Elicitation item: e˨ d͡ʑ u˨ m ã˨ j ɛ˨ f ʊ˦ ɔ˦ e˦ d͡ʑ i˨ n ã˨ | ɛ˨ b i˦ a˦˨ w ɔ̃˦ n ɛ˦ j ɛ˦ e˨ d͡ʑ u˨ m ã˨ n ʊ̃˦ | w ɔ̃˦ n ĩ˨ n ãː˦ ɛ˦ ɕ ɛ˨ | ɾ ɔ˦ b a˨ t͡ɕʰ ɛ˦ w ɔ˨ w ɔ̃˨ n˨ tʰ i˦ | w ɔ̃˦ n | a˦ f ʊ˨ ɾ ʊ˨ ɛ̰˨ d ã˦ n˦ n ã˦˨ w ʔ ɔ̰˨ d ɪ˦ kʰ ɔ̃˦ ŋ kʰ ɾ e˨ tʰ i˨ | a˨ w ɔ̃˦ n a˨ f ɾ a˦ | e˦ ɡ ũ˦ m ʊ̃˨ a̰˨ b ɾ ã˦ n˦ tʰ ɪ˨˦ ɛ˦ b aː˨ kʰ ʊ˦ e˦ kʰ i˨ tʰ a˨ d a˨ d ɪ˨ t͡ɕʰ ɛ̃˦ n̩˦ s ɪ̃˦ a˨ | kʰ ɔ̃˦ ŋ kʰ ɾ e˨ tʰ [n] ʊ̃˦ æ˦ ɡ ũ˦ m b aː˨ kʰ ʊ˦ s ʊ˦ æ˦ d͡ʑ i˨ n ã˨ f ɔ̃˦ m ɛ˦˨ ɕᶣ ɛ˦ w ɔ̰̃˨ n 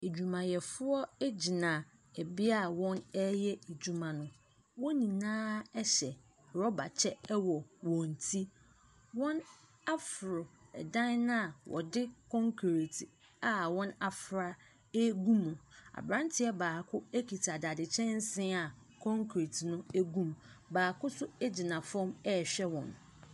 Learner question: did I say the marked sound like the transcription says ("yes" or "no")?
yes